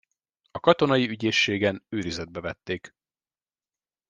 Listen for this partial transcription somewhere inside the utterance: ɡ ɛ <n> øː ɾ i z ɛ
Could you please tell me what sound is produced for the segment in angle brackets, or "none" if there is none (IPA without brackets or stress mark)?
n